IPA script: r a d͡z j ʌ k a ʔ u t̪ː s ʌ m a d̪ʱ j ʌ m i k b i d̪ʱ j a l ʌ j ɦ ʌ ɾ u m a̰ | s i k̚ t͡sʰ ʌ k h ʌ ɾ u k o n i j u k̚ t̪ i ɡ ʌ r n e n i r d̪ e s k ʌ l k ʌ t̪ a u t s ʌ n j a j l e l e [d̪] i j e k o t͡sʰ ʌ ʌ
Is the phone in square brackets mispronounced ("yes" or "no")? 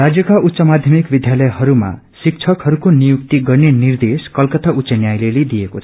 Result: no